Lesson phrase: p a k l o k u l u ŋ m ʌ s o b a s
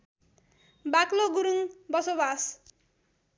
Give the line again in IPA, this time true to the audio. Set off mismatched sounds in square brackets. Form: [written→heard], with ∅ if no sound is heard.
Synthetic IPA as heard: [p→b] a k l o [k→ɡ] u [l→ɾ] u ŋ [m→b] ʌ s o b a s